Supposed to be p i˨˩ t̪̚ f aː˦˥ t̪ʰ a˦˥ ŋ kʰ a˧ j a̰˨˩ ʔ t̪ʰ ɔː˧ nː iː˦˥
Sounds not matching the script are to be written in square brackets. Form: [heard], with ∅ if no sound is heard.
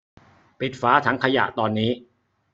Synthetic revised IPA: p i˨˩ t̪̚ f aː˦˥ t̪ʰ a˦˥ ŋ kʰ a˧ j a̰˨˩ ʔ [t̪] ɔː˧ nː iː˦˥